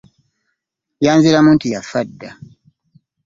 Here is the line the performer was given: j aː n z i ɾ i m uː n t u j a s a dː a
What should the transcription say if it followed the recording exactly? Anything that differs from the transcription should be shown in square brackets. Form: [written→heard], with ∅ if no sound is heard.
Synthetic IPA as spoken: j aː n z i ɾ [i→a] m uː n t u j a [s→f] a dː a